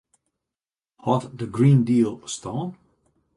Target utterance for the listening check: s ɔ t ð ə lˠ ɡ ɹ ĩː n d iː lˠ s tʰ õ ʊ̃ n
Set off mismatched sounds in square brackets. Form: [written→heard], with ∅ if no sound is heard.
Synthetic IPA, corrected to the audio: [s→h] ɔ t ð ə [lˠ→∅] ɡ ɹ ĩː n d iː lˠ s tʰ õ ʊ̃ n

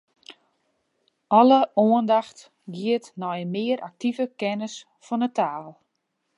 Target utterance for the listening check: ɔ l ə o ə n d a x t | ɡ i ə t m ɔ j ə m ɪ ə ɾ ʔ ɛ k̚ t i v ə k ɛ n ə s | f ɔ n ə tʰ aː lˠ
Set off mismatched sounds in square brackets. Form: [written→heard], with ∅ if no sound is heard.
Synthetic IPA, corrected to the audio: ɔ l ə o ə n d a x t | ɡ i ə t [m→n] ɔ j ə m ɪ ə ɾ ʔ [ɛ→a] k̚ t i v ə k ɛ n ə s | f ɔ n ə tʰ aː lˠ

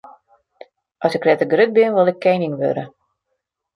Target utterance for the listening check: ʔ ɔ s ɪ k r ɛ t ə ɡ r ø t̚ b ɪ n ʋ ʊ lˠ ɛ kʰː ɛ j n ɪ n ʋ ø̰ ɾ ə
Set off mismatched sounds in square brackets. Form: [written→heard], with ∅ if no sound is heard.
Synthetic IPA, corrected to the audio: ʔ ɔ s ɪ k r ɛ t ə ɡ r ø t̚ b ɪ n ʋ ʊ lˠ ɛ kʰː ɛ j n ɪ [n→ŋ] ʋ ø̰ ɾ ə

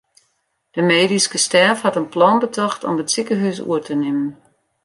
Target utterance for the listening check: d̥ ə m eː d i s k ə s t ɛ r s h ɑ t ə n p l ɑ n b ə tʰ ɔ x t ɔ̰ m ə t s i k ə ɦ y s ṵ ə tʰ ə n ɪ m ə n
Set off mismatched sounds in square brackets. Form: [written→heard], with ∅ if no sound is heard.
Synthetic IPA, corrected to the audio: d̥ ə m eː d i s k ə s t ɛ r [s→f] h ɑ t ə n p l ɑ n b ə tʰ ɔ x t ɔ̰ m ə t s i k ə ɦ y s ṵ ə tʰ ə n ɪ m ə n

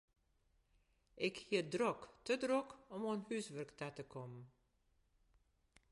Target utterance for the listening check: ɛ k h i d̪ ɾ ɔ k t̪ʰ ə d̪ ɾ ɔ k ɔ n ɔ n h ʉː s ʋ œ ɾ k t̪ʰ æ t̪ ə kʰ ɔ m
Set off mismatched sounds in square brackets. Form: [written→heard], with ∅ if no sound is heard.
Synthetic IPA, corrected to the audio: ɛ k h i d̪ ɾ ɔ k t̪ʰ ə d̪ ɾ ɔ k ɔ [n→m] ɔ n h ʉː s ʋ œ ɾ k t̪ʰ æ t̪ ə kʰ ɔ m

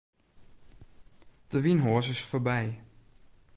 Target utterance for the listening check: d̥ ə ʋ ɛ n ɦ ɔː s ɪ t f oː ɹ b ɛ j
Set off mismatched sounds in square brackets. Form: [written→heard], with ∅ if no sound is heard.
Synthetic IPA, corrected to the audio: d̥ ə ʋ [ɛ→i] n ɦ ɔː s ɪ [t→s] f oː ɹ b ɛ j

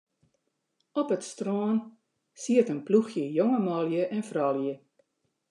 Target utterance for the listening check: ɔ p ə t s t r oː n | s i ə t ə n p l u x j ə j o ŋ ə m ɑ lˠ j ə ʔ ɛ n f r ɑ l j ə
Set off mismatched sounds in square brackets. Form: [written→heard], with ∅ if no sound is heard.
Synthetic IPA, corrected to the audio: ɔ p ə t s t r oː n | s i ə t ə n p l u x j ə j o ŋ ə m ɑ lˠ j ə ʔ ɛ n f r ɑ l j ə

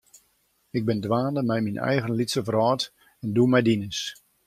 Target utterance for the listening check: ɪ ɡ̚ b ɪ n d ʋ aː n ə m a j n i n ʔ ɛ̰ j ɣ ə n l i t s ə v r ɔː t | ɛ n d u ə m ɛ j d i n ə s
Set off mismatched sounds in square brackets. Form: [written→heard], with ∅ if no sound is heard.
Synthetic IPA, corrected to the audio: ɪ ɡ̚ b ɪ n d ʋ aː n ə m [a→ɛ] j [n→m] i n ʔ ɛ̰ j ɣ ə n l i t s ə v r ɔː t | ɛ n d u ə m ɛ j d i n ə s

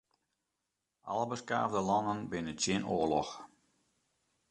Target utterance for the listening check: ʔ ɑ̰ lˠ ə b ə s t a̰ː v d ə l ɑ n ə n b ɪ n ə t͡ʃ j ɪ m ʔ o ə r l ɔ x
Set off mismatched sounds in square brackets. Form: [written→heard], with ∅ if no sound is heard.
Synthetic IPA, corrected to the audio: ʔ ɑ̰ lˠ ə b ə s [t→k] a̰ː v d ə l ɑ n ə n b ɪ n ə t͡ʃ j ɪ [m→n] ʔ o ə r l ɔ x

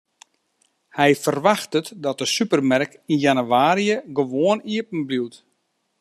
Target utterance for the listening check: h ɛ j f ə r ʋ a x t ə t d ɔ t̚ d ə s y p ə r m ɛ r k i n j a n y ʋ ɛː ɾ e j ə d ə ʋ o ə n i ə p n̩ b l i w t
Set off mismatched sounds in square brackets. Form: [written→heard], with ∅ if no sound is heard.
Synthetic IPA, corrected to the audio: h ɛ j f ə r ʋ a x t ə t d ɔ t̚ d ə s y p ə r m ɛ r k i n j a n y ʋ [ɛː→aː] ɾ [e→i] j ə [d→ɡ] ə ʋ o ə n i ə p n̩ b l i w t

